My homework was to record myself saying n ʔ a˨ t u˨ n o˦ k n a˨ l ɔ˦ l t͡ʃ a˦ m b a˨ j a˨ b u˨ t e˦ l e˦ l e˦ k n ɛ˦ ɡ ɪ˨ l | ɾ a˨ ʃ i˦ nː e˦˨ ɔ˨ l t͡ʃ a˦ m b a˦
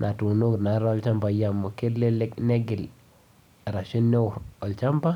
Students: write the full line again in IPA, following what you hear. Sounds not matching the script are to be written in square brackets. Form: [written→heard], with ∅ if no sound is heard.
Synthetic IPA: n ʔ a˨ t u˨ n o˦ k n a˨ [l→ɾ] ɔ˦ l t͡ʃ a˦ m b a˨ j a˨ [b→m] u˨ [t→k] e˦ l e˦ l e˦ k n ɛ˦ ɡ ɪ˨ l | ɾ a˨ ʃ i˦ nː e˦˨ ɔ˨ l t͡ʃ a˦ m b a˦